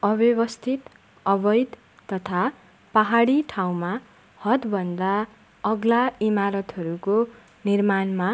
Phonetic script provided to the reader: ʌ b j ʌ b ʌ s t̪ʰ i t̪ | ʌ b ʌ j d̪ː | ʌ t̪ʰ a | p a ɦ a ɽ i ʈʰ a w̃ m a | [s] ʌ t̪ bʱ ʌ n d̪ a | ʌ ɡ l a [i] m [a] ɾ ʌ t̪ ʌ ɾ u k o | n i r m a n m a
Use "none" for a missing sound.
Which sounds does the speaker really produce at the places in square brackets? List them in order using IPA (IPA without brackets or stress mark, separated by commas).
h, i, a